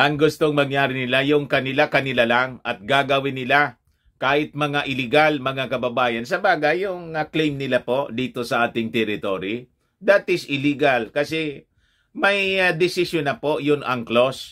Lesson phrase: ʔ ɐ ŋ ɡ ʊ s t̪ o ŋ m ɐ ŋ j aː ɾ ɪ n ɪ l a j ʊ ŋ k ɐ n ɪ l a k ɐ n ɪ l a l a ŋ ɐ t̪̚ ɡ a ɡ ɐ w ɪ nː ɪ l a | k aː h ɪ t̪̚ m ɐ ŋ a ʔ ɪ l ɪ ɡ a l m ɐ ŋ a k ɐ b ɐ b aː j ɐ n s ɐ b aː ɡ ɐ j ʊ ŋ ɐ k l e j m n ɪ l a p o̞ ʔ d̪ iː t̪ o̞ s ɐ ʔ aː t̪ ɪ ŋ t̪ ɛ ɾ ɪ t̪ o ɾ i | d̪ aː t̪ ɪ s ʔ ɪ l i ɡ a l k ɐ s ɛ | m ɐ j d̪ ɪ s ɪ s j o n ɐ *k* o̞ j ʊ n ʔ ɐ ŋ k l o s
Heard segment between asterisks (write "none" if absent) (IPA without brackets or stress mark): p